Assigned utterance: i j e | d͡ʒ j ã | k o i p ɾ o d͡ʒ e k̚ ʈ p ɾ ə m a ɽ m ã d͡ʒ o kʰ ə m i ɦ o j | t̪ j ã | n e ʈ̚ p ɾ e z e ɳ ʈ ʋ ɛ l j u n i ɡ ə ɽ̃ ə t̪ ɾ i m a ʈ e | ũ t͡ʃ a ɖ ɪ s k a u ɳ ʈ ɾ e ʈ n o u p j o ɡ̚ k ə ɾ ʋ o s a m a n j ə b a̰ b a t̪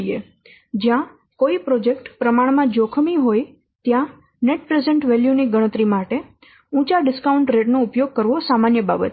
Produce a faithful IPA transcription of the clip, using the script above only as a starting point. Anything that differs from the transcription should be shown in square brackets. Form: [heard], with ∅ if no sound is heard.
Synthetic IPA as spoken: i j e | d͡ʒ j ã | k o i p ɾ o d͡ʒ e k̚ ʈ p ɾ ə m a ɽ m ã d͡ʒ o kʰ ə m i ɦ o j | t̪ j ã | n e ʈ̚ p ɾ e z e ɳ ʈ ʋ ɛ l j u n i ɡ ə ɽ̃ ə t̪ ɾ i m a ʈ e | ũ t͡ʃ a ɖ ɪ s k a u ɳ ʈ ɾ e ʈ n o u p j o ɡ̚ k ə ɾ ʋ o s a m a n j ə b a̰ b [ə] t̪